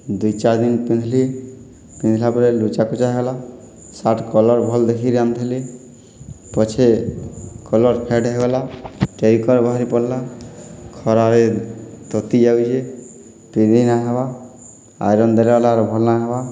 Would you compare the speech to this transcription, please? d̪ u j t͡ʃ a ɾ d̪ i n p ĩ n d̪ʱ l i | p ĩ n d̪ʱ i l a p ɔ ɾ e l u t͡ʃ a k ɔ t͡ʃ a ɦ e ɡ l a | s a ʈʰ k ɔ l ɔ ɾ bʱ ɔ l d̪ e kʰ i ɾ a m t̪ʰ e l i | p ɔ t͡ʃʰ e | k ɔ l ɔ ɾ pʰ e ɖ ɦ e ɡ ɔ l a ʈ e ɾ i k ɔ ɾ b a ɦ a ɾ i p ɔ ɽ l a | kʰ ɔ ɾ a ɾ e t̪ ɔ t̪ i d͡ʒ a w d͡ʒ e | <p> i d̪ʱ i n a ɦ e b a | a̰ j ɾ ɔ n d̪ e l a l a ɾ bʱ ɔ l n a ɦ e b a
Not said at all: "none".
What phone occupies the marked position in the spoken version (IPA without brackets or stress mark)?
p